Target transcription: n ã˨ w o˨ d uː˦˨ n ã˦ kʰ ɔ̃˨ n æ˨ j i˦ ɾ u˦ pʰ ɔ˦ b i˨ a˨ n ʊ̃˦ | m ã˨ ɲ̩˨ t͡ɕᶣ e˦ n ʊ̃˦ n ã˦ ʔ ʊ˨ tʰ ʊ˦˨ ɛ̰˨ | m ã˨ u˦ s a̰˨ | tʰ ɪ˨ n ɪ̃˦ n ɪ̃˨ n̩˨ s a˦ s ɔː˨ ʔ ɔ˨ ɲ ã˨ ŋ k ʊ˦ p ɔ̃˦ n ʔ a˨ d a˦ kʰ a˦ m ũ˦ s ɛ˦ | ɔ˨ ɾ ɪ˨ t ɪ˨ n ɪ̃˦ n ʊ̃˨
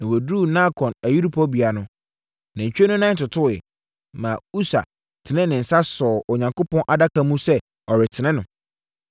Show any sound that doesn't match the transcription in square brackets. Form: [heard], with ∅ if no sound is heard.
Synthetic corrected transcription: n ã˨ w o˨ d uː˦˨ n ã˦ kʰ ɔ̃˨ n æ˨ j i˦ ɾ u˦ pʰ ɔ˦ b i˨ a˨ n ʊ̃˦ | [n] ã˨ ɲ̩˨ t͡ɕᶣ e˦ n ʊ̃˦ n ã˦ [t] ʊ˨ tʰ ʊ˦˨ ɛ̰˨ | m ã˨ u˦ s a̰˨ | tʰ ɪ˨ n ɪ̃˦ n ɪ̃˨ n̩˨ s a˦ s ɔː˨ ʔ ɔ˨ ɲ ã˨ ŋ k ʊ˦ p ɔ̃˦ n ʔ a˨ d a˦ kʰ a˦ m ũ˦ s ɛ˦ | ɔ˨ ɾ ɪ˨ [tʰ] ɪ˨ n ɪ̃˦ n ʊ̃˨